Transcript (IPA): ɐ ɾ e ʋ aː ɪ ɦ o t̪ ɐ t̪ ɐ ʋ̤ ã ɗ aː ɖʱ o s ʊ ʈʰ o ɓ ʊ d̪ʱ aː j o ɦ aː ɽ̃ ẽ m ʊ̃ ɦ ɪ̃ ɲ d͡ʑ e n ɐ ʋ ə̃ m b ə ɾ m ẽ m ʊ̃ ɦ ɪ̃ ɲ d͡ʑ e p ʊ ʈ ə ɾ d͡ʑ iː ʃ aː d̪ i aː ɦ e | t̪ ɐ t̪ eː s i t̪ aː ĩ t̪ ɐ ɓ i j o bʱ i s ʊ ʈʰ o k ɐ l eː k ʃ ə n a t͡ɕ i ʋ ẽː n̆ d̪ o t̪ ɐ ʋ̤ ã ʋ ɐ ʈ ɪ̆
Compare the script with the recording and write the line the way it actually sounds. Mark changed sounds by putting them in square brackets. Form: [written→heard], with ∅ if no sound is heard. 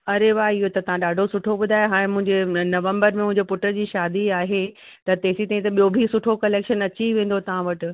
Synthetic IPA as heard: ɐ ɾ e ʋ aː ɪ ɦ o t̪ ɐ t̪ ɐ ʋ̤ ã ɗ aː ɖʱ o s ʊ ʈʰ o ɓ ʊ d̪ʱ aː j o ɦ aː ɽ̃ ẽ m ʊ̃ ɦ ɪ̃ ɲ d͡ʑ e n ɐ ʋ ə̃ m b ə ɾ m ẽ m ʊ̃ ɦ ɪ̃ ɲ d͡ʑ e p ʊ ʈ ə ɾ d͡ʑ iː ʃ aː d̪ i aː ɦ e | t̪ ɐ t̪ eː s i t̪ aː ĩ t̪ ɐ ɓ i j o bʱ i s ʊ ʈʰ o k ɐ l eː k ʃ ə n [a→ɐ] t͡ɕ i ʋ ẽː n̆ d̪ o t̪ ɐ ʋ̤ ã ʋ ɐ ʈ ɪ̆

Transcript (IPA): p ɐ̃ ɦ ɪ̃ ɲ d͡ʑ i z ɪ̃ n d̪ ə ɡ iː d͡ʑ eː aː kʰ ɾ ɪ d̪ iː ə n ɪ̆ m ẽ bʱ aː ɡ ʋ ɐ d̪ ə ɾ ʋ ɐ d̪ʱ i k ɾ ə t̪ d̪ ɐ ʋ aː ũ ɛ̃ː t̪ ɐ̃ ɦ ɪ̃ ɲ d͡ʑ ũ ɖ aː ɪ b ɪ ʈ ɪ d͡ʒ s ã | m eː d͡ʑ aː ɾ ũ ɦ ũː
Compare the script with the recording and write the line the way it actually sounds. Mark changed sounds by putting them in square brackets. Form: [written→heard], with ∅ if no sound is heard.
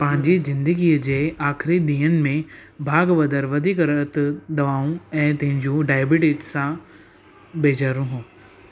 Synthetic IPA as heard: p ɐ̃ ɦ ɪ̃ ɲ d͡ʑ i z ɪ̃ n d̪ ə ɡ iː d͡ʑ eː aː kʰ ɾ [ɪ→i] d̪ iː ə n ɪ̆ m ẽ bʱ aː ɡ ʋ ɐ d̪ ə ɾ ʋ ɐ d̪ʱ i k ɾ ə t̪ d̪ ɐ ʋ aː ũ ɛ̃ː t̪ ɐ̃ ɦ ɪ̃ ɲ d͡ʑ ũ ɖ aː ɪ b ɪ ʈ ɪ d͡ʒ s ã | [m→b] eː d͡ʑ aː ɾ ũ ɦ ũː

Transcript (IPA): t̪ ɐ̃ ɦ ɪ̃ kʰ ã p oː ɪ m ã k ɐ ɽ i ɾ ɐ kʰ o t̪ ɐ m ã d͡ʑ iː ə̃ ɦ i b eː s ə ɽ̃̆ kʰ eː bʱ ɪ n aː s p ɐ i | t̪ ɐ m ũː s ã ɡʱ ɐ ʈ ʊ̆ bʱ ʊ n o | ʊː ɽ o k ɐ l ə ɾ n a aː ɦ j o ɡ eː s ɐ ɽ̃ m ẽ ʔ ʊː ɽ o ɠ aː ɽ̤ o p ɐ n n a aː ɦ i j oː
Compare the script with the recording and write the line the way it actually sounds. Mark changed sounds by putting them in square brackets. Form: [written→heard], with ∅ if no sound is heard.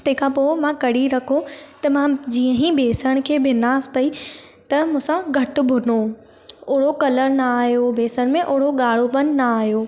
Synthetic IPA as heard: t̪ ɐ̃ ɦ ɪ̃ kʰ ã p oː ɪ m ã k ɐ ɽ i ɾ ɐ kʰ o t̪ ɐ m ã d͡ʑ iː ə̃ ɦ i b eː s ə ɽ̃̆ kʰ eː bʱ ɪ n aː s p ɐ i | t̪ ɐ m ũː s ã ɡʱ ɐ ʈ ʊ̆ bʱ ʊ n o | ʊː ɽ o k ɐ l ə ɾ n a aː ɦ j o [ɡ→b] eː s [ɐ→ə] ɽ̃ m ẽ ʔ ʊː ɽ o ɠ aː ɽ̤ o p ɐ n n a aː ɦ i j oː

